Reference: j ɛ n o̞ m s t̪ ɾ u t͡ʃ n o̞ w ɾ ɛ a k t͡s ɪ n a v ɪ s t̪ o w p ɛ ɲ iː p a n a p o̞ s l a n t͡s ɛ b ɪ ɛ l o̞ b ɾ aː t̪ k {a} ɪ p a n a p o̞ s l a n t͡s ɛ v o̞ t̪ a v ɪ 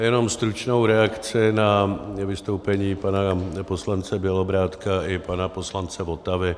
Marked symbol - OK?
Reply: yes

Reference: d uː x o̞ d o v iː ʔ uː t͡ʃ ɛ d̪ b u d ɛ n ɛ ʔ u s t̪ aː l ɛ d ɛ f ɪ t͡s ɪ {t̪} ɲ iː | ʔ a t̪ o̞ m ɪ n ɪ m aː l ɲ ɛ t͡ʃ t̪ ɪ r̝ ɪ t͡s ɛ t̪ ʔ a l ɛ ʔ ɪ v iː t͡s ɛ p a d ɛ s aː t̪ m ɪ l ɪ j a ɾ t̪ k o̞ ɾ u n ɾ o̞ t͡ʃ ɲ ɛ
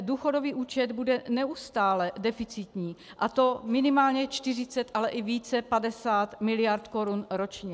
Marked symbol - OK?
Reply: yes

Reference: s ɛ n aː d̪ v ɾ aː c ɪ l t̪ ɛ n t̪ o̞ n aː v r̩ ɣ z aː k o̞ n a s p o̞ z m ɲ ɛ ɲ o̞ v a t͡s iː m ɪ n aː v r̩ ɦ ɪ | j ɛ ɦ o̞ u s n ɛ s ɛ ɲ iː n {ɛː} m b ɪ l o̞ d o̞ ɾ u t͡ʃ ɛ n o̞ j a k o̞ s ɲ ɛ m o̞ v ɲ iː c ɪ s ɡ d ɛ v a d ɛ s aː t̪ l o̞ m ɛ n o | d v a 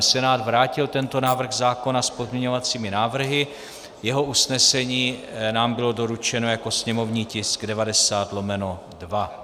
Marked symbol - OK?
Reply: no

